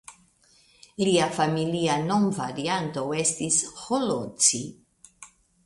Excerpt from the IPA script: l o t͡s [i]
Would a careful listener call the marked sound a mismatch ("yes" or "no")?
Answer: no